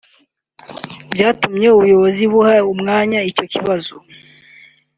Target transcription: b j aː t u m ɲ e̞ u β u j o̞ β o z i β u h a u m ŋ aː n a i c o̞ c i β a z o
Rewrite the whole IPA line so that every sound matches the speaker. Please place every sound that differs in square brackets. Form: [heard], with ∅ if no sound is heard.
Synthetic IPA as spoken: b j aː t u m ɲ e̞ u β u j o̞ β o z i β u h a u m ŋ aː [ɲ] a i c o̞ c i β a z o